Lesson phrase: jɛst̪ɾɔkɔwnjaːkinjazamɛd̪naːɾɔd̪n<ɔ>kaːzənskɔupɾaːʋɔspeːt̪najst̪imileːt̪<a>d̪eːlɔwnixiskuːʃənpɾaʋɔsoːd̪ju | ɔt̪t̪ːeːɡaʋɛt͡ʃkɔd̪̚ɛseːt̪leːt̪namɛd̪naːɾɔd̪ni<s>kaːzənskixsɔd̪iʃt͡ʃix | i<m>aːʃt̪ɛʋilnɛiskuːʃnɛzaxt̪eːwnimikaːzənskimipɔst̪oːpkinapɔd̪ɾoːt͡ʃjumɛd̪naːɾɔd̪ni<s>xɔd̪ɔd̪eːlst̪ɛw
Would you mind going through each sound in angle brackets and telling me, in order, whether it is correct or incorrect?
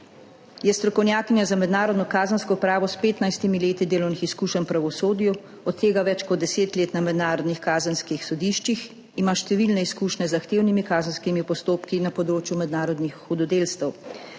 correct, incorrect: i, incorrect: x, correct, incorrect: x

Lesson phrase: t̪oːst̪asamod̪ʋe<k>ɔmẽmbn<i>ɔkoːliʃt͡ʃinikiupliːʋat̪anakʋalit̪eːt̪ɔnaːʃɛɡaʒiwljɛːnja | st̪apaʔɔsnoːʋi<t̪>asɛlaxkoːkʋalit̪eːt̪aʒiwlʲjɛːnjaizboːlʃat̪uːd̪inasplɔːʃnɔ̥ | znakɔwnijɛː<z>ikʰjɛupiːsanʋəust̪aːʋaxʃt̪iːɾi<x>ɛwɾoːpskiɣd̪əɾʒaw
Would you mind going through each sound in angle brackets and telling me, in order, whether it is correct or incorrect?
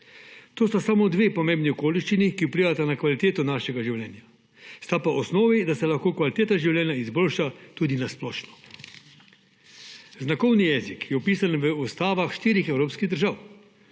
incorrect: p, correct, incorrect: d̪, correct, correct

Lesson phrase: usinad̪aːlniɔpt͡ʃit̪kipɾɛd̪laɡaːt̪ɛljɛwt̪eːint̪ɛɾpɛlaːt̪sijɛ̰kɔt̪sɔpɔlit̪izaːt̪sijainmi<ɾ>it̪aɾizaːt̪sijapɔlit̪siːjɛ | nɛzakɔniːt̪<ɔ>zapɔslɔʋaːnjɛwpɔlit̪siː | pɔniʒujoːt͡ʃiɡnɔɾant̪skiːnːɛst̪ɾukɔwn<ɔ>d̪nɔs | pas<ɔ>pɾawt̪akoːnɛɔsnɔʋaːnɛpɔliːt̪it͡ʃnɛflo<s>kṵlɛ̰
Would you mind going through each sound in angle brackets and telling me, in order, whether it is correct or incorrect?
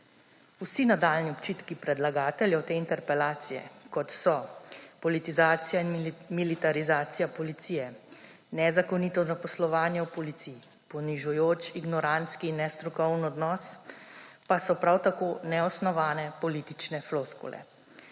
incorrect: l, correct, correct, correct, correct

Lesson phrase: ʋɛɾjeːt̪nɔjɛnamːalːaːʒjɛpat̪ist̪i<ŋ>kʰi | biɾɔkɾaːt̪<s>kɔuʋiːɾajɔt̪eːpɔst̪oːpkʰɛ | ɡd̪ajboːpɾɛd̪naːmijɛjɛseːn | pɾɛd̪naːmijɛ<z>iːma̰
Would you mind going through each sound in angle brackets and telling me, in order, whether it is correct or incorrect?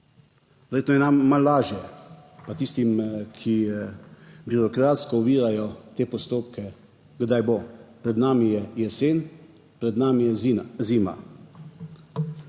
incorrect: m, correct, correct

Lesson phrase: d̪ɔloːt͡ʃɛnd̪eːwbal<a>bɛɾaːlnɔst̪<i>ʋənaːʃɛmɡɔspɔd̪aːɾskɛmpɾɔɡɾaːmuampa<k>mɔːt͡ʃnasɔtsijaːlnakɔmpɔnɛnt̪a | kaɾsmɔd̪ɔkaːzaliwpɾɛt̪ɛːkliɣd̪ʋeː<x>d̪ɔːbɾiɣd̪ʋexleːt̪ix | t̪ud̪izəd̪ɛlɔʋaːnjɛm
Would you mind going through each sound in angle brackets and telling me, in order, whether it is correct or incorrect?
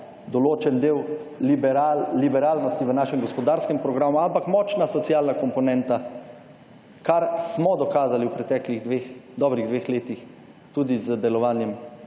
incorrect: i, correct, correct, correct

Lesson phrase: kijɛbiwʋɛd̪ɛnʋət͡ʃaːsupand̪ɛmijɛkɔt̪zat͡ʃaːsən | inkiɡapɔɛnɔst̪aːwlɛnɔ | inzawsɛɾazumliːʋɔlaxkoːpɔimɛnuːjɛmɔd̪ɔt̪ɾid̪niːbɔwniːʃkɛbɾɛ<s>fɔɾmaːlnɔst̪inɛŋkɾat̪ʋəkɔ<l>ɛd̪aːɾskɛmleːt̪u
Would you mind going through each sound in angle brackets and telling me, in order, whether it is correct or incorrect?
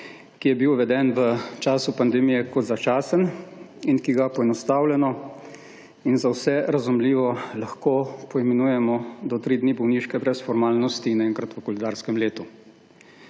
correct, correct

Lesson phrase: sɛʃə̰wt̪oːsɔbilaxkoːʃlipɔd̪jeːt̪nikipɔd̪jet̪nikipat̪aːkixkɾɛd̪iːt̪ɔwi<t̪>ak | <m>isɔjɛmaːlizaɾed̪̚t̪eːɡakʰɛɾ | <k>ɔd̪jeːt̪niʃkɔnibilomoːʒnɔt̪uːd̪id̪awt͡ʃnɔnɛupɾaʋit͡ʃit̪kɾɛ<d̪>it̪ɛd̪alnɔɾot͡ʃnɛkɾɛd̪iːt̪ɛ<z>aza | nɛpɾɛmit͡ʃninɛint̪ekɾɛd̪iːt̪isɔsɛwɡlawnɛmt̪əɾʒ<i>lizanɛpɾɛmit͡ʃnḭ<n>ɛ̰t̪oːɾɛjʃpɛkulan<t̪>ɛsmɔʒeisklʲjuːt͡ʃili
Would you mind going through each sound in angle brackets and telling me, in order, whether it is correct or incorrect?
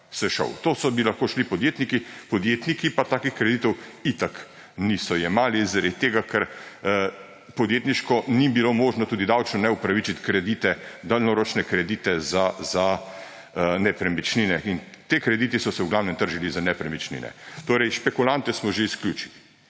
correct, incorrect: n, incorrect: p, correct, correct, correct, correct, correct

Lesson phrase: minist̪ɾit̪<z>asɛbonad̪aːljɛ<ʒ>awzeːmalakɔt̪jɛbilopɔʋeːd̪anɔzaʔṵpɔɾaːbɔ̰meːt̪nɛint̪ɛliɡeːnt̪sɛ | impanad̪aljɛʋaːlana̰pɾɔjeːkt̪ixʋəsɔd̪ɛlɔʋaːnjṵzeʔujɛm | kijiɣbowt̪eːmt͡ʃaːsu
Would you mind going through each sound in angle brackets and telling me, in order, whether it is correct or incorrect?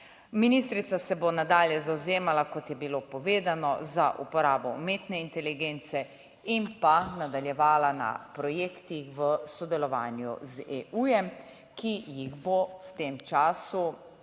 incorrect: s, incorrect: z

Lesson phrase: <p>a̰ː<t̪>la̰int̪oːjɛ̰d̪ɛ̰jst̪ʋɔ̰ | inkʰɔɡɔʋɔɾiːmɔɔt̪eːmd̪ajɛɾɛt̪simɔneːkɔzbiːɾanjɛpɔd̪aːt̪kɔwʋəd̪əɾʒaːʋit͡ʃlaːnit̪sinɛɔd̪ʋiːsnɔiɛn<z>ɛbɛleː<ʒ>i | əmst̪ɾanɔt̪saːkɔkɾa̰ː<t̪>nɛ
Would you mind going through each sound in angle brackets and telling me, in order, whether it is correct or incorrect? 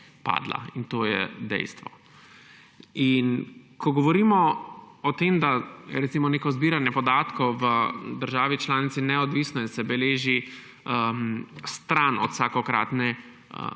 correct, incorrect: d̪, incorrect: s, correct, correct

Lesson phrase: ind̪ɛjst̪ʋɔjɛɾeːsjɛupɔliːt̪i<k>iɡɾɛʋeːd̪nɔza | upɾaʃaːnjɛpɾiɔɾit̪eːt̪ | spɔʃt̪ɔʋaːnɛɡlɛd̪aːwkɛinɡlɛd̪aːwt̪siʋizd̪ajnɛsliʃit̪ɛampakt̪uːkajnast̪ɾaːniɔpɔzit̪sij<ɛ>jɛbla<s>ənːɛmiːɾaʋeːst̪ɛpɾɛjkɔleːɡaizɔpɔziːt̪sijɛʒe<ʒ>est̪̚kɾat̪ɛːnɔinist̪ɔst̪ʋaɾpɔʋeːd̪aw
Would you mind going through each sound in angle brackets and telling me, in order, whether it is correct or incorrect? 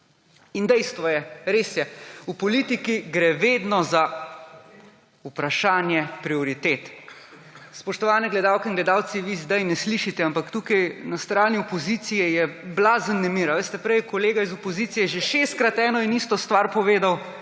correct, correct, incorrect: z, incorrect: ʃ

